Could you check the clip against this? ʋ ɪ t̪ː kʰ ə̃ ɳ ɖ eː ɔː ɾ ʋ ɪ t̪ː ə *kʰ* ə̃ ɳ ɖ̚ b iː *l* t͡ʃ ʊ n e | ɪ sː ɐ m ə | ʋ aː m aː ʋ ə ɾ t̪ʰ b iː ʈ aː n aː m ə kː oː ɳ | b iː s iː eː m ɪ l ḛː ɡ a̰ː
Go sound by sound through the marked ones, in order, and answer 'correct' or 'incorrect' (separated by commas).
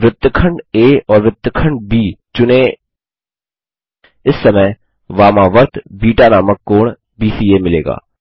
correct, incorrect